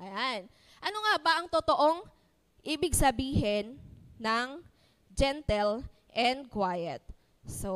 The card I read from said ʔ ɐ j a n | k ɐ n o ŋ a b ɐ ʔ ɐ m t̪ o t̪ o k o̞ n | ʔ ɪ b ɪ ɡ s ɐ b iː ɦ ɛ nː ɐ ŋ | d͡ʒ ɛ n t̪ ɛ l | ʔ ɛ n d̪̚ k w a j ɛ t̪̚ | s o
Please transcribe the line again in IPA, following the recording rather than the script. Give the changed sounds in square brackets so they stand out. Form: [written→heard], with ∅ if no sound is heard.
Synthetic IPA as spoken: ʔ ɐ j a n | [k→ʔ] ɐ n o ŋ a b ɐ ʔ ɐ [m→ŋ] t̪ o t̪ o [k→ʔ] o̞ [n→ŋ] | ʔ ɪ b ɪ ɡ s ɐ b iː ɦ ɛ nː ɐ ŋ | d͡ʒ ɛ n t̪ ɛ l | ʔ ɛ n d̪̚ k w a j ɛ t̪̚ | s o